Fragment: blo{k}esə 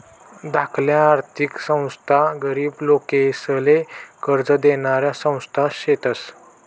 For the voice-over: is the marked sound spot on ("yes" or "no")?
yes